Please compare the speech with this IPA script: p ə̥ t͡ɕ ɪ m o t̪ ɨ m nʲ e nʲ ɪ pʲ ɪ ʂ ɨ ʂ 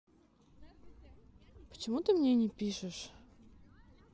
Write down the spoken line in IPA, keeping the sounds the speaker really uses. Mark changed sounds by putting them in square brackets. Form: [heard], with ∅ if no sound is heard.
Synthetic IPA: p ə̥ t͡ɕ ɪ m [u] t̪ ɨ m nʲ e nʲ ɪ pʲ [i] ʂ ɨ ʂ